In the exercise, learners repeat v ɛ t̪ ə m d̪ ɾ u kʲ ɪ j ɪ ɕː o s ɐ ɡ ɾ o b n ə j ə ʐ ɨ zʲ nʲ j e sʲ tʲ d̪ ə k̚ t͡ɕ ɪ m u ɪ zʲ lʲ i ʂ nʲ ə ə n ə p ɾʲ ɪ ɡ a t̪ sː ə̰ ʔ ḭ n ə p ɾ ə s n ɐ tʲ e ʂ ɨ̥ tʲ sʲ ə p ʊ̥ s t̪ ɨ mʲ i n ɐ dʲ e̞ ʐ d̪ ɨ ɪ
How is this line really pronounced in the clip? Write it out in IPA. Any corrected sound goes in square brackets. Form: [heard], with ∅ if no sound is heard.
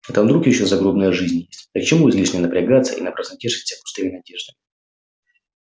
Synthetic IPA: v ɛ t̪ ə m d̪ ɾ u kʲ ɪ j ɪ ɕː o [z] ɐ ɡ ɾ o b n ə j ə ʐ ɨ zʲ nʲ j e sʲ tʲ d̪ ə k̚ t͡ɕ ɪ m u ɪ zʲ lʲ i ʂ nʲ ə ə n ə p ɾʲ ɪ ɡ a t̪ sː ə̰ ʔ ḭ n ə p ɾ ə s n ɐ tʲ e ʂ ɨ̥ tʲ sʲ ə p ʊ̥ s t̪ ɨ mʲ [ɪ] n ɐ dʲ e̞ ʐ d̪ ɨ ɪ

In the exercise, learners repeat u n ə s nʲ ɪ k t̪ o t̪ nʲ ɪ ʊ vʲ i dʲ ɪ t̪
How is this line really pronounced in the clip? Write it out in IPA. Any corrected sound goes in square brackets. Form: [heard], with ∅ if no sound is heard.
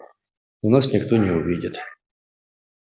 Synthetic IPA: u n [a] s nʲ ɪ k t̪ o [∅] nʲ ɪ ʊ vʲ i dʲ ɪ t̪

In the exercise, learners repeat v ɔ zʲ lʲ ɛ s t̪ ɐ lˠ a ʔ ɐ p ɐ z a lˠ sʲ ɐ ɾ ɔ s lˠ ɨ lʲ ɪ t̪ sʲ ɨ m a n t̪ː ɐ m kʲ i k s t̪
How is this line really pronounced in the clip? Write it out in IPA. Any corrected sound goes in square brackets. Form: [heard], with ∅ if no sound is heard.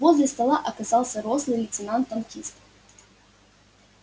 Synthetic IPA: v ɔ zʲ lʲ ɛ s t̪ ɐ lˠ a ʔ ɐ [k] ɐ z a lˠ sʲ ɐ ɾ ɔ s lˠ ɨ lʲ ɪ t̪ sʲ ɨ [n] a n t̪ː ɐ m kʲ i [∅] s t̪

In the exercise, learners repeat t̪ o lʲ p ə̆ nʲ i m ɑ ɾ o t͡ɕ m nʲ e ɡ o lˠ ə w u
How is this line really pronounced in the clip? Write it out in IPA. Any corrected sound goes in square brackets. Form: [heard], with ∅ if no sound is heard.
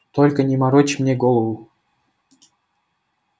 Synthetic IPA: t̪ o lʲ [k] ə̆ nʲ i m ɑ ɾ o t͡ɕ m nʲ e ɡ o lˠ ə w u

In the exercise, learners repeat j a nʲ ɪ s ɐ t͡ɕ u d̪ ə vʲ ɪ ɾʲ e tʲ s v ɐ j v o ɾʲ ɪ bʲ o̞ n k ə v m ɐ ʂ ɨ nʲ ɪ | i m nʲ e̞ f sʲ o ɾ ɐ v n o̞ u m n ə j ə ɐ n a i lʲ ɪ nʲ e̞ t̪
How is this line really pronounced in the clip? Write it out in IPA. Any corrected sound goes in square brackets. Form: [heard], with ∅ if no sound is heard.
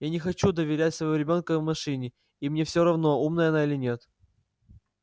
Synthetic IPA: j a nʲ ɪ [x] ɐ t͡ɕ u d̪ ə vʲ ɪ ɾʲ [æ] tʲ s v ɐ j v o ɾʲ ɪ bʲ o̞ n k ə v m ɐ ʂ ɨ nʲ ɪ | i m nʲ e̞ f sʲ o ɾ ɐ v n o̞ u m n ə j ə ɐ n a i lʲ ɪ nʲ e̞ t̪

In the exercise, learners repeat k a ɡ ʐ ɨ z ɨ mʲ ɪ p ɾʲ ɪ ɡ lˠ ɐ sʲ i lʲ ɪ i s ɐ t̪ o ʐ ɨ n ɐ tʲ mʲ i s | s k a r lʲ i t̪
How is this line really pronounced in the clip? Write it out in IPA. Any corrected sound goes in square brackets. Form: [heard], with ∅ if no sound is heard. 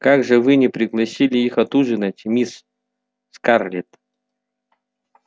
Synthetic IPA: k a ɡ ʐ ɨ [v] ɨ [nʲ] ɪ p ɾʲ ɪ ɡ lˠ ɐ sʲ i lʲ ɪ i [x] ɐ t̪ [u] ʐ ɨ n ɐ tʲ mʲ i s | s k a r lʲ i t̪

